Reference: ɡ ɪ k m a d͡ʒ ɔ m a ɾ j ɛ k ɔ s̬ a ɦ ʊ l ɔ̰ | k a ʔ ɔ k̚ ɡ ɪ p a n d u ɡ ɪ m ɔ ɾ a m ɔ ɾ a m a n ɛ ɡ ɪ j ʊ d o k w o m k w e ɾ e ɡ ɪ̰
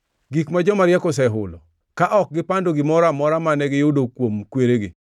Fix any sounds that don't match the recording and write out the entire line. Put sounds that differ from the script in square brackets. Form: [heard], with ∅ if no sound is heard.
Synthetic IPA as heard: ɡ [i] k m a d͡ʒ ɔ m a ɾ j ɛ k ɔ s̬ [ɛ] ɦ ʊ l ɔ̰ | k a ʔ ɔ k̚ ɡ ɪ p a n d [o] ɡ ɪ m ɔ ɾ a m ɔ ɾ a m a n ɛ ɡ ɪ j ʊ d o k w o m k w e ɾ e ɡ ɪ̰

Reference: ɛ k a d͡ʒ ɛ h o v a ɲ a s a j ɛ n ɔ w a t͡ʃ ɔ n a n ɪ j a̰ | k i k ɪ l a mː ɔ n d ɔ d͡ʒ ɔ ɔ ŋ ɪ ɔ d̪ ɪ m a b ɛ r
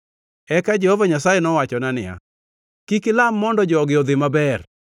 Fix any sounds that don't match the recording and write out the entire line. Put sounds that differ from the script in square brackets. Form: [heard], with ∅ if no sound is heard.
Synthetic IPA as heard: ɛ k a d͡ʒ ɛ h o v a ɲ a s a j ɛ n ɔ w a t͡ʃ ɔ n a n ɪ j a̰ | k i k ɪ l a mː ɔ n d ɔ d͡ʒ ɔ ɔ [ɡ] ɪ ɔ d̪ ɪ m a b ɛ r

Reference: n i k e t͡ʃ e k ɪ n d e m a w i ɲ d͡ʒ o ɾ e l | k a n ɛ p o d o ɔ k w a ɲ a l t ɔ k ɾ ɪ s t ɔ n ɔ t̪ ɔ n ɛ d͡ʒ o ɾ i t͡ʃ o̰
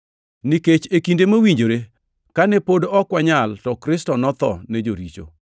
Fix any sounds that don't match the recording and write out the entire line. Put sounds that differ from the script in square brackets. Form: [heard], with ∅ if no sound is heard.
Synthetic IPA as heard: n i k e t͡ʃ e k [i] n d e m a w i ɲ d͡ʒ o ɾ e [∅] | k a n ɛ p o d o ɔ k w a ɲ a l t ɔ k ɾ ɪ s t ɔ n ɔ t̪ ɔ n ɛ d͡ʒ o ɾ i t͡ʃ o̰

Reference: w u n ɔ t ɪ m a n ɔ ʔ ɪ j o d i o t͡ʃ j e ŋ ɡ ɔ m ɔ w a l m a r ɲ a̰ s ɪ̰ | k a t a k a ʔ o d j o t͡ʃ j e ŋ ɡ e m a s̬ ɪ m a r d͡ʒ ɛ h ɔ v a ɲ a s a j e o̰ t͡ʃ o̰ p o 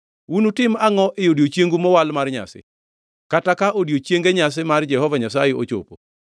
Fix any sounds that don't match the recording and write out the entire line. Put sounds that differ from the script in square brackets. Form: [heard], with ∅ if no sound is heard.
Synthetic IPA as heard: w u n [u] t ɪ m a [ŋ] ɔ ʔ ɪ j o d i o t͡ʃ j e ŋ ɡ [u] m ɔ w a l m a r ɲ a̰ s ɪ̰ | k a t a k a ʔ o d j o t͡ʃ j e ŋ ɡ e [ɲ] a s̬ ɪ m a r d͡ʒ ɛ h ɔ v a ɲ a s a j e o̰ t͡ʃ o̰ p o

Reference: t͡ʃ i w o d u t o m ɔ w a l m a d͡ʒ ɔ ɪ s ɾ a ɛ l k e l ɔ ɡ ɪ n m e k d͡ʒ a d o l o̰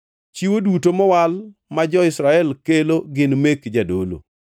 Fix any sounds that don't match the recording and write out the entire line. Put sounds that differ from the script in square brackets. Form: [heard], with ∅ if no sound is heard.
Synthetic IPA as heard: t͡ʃ i w o d u t o m ɔ w a l m a d͡ʒ ɔ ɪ s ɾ a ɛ l k e l [o] ɡ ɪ n m e k d͡ʒ a d o l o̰

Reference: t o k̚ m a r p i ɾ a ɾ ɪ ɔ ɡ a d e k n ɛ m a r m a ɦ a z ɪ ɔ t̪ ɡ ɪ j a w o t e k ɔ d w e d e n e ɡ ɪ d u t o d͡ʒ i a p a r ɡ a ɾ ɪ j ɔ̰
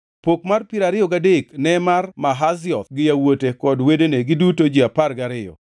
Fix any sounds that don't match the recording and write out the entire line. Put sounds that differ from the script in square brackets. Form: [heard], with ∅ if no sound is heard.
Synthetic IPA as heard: [p] o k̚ m a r p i ɾ a ɾ ɪ ɔ ɡ a d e k n ɛ m a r m a ɦ a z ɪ ɔ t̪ ɡ ɪ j a w o t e k ɔ d w e d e n e ɡ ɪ d u t o d͡ʒ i a p a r ɡ a ɾ ɪ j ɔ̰

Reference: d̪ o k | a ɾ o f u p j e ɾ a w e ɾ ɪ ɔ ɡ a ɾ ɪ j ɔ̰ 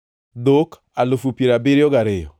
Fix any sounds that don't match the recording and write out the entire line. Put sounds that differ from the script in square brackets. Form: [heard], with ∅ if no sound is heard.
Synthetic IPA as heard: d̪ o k | a [l] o f u p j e ɾ a [b] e ɾ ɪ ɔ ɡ a ɾ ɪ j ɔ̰

